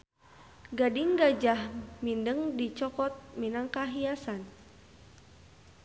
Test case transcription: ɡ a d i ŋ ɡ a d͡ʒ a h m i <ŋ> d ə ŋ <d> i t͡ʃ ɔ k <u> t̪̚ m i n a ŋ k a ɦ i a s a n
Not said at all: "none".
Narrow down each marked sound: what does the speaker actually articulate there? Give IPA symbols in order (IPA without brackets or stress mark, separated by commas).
n, d, ɔ